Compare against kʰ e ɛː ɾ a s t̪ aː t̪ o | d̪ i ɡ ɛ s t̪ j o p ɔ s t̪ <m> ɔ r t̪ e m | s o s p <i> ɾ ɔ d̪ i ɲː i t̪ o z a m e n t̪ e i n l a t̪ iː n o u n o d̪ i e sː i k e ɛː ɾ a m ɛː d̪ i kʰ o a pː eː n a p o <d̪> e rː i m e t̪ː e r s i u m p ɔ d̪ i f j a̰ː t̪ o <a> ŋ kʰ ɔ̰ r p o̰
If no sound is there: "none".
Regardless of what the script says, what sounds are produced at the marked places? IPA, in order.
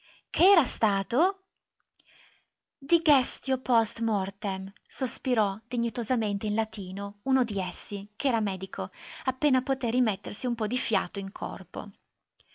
m, i, t̪, i

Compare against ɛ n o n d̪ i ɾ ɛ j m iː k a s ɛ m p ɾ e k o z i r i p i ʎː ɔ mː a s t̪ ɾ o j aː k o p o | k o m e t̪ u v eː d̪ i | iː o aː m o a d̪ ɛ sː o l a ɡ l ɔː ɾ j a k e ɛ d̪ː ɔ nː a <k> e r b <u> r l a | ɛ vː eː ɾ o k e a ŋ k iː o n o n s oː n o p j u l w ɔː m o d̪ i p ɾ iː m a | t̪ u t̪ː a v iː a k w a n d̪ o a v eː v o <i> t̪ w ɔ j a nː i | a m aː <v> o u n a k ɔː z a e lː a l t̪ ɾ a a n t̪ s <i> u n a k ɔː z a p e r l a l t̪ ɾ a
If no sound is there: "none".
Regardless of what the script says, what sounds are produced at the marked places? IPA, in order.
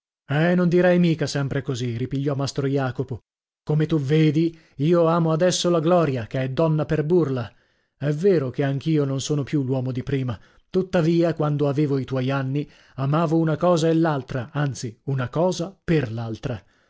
p, u, i, v, i

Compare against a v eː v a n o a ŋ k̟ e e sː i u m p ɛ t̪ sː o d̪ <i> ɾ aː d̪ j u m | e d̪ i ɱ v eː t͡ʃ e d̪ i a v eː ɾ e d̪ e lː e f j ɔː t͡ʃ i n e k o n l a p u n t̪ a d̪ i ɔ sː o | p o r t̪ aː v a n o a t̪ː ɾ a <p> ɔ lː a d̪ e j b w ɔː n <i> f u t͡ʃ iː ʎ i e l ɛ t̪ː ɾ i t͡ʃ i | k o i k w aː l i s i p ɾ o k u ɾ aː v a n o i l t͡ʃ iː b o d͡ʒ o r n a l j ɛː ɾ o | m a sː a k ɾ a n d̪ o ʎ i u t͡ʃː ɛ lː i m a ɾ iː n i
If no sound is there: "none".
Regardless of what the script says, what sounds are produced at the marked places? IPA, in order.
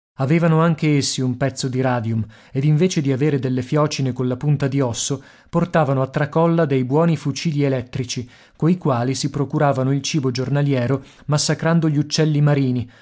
i, k, i

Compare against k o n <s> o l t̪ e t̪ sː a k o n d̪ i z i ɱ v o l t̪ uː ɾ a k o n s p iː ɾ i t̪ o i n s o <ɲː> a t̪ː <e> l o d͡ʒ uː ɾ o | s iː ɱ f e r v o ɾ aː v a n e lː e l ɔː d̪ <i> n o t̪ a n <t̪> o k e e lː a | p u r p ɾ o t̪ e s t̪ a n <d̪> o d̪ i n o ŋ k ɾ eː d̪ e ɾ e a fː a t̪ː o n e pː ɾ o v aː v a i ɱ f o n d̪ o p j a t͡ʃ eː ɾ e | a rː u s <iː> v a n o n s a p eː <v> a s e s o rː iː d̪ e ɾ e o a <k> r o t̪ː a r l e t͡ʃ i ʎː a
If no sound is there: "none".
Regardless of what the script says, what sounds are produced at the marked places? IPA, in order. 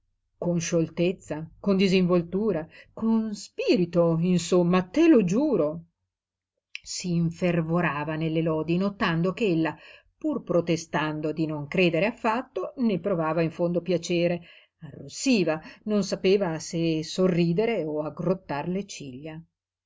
ʃ, mː, e, i, d̪, d̪, iː, v, ɡ

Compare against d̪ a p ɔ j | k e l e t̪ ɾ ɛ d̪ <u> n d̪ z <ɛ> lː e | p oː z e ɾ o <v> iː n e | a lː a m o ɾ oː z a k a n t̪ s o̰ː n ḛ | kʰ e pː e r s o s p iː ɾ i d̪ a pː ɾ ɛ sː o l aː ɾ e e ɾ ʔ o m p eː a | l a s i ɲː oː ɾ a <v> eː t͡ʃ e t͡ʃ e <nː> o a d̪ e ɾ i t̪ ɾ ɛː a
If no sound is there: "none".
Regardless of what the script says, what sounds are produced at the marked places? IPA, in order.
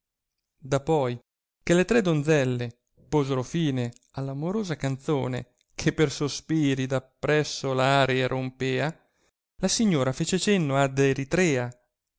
o, ɛ, f, f, nː

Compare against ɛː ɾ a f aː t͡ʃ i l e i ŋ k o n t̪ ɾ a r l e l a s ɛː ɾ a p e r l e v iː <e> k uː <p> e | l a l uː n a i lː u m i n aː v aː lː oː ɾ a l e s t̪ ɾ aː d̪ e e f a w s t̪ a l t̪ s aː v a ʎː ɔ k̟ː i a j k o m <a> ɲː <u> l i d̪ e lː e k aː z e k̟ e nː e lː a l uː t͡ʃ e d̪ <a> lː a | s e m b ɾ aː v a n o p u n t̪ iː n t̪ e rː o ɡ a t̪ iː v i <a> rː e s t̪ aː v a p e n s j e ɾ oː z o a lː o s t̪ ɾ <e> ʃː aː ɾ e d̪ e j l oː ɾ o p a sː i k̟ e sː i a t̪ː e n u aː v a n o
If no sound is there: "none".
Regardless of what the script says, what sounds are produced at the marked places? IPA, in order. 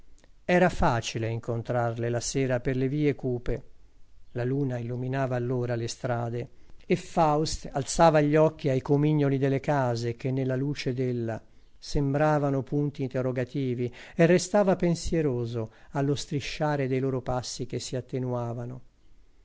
e, p, i, o, e, e, i

